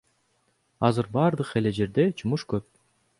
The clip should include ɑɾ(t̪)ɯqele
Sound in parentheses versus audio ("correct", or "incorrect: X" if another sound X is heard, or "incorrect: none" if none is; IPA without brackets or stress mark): incorrect: d̪